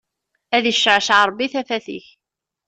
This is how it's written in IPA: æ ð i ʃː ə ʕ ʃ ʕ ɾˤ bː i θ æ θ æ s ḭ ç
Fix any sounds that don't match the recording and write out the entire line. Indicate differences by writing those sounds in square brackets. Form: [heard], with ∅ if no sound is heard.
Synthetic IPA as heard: æ ð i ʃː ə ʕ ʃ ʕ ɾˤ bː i θ æ [f] æ [θ] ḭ ç